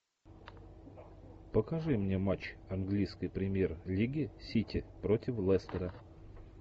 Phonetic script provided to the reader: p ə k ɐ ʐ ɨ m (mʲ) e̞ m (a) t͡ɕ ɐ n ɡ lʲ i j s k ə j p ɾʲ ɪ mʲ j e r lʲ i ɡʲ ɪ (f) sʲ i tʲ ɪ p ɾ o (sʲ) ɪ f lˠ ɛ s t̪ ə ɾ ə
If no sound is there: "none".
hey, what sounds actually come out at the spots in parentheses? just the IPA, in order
nʲ, a, none, tʲ

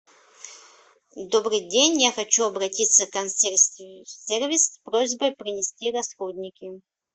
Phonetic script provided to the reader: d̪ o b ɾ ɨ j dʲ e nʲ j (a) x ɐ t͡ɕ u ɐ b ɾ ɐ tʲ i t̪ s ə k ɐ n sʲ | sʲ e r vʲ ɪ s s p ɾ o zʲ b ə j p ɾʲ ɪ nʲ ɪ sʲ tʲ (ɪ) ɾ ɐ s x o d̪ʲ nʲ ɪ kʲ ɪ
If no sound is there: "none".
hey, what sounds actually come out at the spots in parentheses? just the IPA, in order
a, i

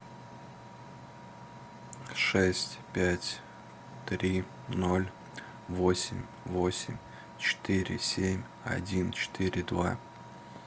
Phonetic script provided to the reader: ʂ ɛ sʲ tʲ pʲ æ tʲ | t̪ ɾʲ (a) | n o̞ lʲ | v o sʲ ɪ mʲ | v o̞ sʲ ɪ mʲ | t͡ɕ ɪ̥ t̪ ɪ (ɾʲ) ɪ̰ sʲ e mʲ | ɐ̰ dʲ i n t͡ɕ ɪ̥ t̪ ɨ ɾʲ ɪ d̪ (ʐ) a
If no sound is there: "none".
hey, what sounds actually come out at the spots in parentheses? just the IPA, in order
i, ɾʲ, v

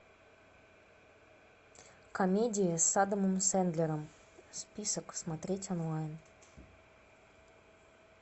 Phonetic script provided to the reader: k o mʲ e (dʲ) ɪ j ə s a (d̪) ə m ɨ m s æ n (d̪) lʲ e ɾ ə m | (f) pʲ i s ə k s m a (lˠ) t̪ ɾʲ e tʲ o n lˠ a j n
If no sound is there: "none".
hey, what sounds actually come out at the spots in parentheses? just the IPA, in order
dʲ, d̪, d̪, s, none

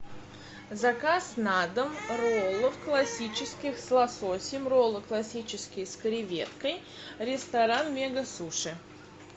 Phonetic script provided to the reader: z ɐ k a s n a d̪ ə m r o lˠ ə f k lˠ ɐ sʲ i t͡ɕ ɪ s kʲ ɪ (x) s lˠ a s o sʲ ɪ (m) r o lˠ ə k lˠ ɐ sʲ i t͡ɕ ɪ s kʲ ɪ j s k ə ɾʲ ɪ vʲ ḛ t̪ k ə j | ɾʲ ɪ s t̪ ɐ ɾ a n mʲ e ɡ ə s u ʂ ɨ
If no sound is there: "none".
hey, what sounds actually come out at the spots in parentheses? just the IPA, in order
x, m

